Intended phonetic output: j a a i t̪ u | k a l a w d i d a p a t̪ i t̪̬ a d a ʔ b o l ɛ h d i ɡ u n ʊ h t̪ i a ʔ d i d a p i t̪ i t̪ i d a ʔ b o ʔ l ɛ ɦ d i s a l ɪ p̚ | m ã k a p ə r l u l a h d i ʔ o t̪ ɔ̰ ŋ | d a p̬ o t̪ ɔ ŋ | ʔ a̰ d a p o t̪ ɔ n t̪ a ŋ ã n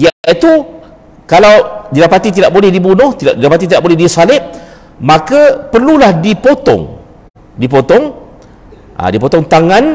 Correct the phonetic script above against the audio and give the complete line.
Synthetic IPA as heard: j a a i t̪ u | k a l a w d i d a p a t̪ i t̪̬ i d a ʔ b o l ɛ h d i b u n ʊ h t̪ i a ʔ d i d a p a t̪ i t̪ i d a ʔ b o l ɛ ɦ d i s a l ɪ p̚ | m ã k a p ə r l u l a h d i p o t̪ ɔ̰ ŋ | d i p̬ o t̪ ɔ ŋ | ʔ a̰ d i p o t̪ ɔ ŋ t̪ a ŋ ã n